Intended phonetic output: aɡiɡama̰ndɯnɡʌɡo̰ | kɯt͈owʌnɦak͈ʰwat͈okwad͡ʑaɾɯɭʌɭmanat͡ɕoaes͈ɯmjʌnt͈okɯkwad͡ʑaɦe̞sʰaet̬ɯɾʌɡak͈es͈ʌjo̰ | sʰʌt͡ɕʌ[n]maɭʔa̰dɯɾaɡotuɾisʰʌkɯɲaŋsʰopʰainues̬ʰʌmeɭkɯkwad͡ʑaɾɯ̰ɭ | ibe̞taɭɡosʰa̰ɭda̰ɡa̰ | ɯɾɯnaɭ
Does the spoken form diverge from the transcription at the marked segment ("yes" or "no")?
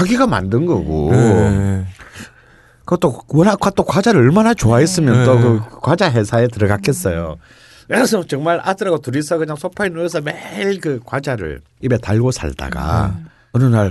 yes